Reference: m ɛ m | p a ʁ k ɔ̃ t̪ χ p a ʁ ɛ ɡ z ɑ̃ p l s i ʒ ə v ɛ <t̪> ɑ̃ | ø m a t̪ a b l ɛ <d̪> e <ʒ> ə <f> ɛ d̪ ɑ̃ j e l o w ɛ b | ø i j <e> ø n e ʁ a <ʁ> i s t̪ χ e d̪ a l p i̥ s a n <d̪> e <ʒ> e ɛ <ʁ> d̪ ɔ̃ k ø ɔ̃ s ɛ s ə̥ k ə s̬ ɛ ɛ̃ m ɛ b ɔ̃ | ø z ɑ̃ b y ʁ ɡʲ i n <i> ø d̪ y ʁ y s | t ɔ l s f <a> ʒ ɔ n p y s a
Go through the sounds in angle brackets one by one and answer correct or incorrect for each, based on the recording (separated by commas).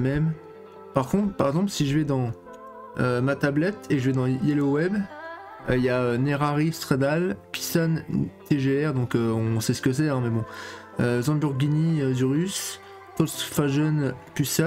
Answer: incorrect, incorrect, correct, incorrect, incorrect, correct, incorrect, correct, correct, correct, correct